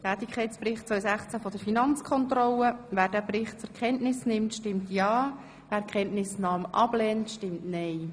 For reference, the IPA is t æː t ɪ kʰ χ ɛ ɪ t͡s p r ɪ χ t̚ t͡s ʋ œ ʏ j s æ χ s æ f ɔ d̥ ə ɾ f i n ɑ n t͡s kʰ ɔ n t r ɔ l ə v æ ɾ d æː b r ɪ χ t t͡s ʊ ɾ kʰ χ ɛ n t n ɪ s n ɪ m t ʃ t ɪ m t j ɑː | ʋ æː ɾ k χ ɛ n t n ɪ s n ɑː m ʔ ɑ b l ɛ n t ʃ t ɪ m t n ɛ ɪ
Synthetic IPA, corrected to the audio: t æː t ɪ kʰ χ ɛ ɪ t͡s p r ɪ χ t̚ t͡s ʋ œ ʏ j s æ χ t͡s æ f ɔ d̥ ə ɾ f i n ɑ n t͡s kʰ ɔ n t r ɔ l ə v æː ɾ d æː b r ɪ χ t t͡s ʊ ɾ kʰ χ ɛ n t n ɪ s n ɪ m t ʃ t ɪ m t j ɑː | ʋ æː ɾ k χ ɛ n t n ɪ s n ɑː m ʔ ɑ b l ɛ n t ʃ t ɪ m t n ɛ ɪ